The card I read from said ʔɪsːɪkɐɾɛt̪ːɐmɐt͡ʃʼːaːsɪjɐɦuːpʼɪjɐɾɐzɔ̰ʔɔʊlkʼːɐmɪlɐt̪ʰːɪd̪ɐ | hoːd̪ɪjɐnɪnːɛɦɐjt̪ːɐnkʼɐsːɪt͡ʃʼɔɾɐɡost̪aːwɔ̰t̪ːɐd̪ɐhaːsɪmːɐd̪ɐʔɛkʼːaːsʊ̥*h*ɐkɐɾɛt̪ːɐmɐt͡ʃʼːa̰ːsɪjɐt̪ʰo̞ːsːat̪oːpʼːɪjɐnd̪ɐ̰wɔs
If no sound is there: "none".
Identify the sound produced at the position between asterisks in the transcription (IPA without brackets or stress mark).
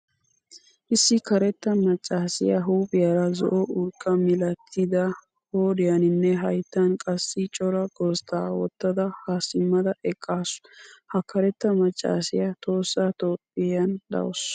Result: h